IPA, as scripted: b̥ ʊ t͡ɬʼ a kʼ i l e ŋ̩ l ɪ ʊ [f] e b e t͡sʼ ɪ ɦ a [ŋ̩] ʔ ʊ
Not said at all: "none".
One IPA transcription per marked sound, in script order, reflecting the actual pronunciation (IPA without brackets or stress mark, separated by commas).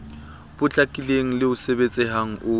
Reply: s, ŋ̩